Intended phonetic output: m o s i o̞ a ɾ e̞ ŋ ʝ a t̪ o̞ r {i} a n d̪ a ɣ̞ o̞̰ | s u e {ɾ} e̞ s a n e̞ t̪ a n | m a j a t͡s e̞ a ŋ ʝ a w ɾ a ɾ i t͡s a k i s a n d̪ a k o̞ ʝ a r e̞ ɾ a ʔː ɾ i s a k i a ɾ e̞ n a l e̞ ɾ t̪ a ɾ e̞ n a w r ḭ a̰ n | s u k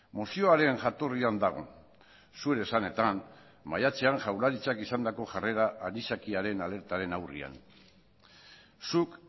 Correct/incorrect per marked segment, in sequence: correct, correct

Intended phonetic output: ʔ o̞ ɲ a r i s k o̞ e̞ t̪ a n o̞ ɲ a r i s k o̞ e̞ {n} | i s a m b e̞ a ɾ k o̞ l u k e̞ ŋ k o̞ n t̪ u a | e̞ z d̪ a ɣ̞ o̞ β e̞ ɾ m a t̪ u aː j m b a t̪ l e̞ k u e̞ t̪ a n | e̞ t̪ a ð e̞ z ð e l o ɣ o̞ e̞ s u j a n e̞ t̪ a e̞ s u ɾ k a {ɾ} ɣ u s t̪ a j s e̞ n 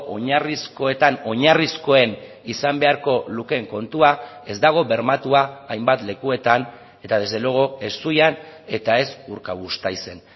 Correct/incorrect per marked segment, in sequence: correct, incorrect: none

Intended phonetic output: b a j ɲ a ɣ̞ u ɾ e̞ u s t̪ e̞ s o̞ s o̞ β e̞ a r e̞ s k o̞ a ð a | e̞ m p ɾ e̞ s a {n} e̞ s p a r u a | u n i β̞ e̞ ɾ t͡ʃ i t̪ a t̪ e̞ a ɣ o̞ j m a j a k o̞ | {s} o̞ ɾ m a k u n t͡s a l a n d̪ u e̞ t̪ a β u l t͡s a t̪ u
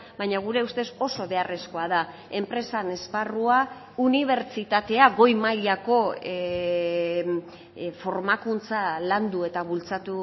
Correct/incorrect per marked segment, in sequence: correct, incorrect: f

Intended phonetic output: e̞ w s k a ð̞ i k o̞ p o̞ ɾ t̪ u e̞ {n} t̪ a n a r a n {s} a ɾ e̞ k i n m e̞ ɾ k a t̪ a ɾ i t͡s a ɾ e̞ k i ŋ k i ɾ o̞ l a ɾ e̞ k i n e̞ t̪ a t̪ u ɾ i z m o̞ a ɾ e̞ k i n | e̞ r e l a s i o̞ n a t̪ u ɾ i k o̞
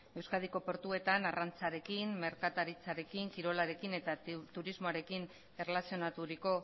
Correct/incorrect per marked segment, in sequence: incorrect: none, incorrect: t͡s

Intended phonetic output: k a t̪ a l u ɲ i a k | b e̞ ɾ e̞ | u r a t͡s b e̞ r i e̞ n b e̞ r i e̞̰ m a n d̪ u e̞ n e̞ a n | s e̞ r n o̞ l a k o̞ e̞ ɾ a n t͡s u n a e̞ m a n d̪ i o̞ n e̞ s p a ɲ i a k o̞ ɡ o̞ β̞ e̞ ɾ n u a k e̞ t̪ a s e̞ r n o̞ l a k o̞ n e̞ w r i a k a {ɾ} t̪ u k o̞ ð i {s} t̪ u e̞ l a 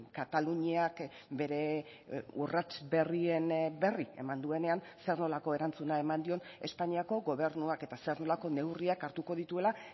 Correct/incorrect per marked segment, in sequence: correct, incorrect: none

